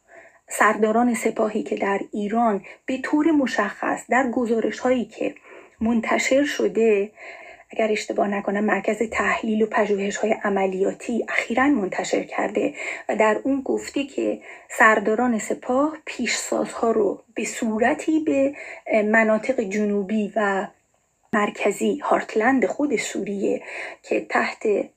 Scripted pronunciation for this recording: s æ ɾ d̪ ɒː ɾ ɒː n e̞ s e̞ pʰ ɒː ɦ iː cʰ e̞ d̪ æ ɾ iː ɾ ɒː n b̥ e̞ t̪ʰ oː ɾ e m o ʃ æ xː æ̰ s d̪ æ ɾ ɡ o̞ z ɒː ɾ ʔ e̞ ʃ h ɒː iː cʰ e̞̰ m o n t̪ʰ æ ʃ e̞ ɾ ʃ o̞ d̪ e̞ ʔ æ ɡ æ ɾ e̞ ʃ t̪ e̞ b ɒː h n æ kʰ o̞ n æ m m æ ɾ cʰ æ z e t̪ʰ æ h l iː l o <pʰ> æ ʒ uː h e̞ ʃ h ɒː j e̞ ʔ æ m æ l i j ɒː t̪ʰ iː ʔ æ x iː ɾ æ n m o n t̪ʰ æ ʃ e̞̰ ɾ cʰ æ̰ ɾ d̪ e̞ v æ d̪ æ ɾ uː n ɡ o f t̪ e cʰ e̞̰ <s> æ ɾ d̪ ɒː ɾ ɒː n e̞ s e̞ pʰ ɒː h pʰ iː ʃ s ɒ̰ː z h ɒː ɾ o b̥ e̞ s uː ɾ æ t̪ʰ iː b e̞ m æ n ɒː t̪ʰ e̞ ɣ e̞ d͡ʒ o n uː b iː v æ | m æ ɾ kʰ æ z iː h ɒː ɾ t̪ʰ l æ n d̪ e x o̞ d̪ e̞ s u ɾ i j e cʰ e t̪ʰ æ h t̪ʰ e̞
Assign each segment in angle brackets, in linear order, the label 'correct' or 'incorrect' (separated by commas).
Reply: correct, correct